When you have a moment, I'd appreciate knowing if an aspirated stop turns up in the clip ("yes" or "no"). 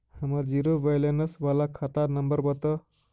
yes